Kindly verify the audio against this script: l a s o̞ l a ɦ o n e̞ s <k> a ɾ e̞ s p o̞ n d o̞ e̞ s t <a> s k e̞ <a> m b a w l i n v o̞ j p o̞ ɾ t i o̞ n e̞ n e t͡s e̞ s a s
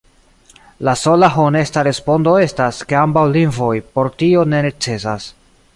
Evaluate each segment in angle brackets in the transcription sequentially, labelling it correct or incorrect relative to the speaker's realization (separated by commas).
incorrect, correct, correct